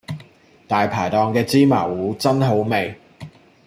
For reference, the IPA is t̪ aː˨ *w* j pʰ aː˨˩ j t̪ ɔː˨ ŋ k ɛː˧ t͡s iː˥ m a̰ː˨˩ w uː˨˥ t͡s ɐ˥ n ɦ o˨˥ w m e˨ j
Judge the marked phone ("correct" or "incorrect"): incorrect